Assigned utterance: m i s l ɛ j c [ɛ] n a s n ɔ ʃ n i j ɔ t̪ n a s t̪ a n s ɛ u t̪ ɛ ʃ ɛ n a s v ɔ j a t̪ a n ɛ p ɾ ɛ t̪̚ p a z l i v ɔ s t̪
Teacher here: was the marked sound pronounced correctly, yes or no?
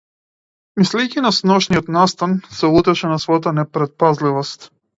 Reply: no